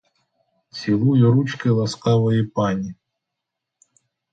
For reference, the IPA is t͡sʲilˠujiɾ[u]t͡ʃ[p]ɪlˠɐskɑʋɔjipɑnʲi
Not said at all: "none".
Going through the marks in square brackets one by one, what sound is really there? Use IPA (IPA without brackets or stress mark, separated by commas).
u, k